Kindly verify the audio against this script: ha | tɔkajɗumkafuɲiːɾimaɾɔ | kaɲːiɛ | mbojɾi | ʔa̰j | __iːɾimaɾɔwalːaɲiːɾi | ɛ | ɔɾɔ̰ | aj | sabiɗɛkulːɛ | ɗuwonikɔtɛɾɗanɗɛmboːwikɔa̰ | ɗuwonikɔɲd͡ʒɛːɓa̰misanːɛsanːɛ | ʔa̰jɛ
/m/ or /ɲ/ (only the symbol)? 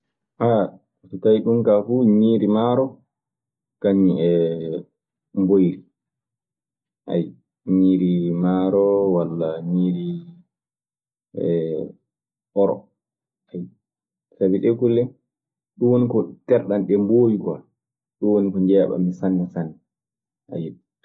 ɲ